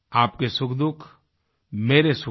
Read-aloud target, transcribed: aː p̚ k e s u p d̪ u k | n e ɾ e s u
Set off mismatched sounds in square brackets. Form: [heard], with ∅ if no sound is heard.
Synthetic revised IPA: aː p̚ k e s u [k] d̪ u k | [m] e ɾ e s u